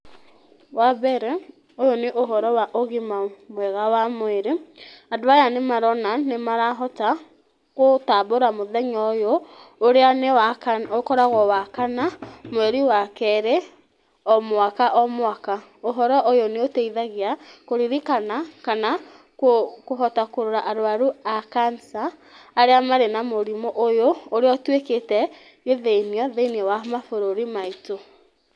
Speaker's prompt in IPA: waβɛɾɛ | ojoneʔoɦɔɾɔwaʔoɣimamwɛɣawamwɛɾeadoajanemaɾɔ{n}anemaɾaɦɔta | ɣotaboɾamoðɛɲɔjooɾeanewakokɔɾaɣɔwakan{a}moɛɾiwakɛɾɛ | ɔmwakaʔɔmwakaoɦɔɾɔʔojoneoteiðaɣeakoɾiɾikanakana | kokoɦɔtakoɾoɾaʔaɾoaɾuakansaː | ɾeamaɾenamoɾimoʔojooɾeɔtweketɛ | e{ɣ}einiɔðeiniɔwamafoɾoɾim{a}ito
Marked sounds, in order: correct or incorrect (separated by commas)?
correct, correct, incorrect, correct